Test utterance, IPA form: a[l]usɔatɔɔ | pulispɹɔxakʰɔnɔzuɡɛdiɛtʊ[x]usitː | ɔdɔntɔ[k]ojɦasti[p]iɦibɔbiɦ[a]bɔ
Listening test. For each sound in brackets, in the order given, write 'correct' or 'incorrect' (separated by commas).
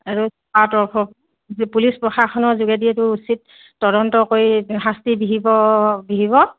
incorrect, incorrect, correct, incorrect, incorrect